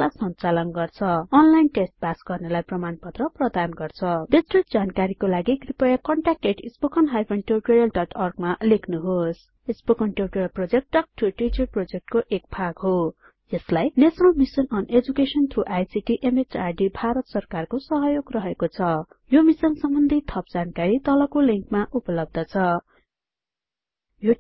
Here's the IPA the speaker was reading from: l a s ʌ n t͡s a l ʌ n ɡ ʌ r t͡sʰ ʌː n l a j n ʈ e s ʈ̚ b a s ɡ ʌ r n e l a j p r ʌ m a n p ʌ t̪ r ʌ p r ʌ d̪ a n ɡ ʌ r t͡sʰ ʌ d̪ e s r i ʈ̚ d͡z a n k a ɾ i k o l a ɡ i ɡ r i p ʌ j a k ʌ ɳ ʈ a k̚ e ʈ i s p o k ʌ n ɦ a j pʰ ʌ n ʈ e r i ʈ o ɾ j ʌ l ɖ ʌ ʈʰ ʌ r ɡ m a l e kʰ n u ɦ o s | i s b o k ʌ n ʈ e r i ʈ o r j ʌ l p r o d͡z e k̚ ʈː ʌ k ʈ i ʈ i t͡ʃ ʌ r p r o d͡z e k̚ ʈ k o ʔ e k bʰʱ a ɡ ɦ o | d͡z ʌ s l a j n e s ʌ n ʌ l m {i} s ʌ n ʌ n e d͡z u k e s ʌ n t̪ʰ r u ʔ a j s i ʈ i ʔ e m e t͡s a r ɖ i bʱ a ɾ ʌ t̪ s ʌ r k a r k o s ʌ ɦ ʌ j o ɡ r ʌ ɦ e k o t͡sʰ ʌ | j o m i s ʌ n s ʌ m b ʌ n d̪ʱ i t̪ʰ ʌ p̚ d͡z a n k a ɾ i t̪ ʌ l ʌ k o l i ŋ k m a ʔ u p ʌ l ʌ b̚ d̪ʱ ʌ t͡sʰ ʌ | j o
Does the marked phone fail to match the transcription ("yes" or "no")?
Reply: no